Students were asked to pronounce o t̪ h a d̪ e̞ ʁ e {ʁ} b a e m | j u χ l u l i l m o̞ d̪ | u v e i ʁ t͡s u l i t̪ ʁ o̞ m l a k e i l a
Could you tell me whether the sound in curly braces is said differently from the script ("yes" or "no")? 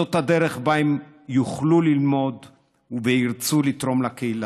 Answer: yes